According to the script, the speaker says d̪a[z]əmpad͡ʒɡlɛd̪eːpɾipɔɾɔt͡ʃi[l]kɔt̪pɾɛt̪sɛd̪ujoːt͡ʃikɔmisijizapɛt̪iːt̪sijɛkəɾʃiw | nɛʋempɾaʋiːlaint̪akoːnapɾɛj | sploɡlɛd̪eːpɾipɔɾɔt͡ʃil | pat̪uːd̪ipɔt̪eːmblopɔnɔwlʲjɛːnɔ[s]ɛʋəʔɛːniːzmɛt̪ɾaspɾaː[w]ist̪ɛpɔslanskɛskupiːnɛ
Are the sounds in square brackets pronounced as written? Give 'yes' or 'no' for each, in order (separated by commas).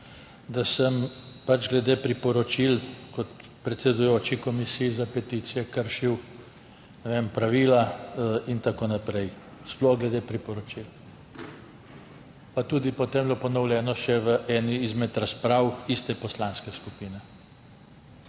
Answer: no, yes, no, yes